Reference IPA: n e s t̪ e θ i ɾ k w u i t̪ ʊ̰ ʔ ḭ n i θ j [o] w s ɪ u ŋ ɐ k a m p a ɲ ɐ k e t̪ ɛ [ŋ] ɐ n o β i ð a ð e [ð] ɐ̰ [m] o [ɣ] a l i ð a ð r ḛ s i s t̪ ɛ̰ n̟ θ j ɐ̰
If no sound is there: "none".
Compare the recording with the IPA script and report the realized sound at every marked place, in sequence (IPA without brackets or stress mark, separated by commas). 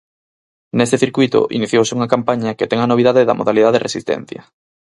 o, ŋ, ð, m, ð